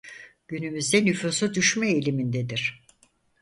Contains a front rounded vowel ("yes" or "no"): yes